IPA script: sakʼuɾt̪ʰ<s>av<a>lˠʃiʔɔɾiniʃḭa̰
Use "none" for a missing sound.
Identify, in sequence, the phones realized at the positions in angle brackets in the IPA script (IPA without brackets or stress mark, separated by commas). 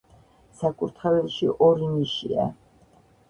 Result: χ, ɛ